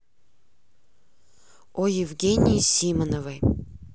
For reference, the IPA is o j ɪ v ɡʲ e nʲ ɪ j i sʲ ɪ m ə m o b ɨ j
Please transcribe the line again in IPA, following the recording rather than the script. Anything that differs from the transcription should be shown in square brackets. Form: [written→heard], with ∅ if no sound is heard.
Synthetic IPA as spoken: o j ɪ v ɡʲ e nʲ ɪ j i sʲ [ɪ→i] m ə [m→n] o [b→v] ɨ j